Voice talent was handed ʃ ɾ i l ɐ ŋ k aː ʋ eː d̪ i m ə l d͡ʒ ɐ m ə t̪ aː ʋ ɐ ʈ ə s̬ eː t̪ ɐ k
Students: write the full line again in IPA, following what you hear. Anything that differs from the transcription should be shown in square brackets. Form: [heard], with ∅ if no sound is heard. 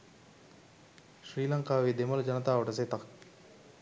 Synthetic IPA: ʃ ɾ [iː] l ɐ ŋ k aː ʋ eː d̪ [e] m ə l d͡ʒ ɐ [n] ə t̪ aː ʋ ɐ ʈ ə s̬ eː t̪ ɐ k